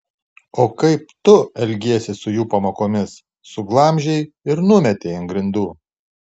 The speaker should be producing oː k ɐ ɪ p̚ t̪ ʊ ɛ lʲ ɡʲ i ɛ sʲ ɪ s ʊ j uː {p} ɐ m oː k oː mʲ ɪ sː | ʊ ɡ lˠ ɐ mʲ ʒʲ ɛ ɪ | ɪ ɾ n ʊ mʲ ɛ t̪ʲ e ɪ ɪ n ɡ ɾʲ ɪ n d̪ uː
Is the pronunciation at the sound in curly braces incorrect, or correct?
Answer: correct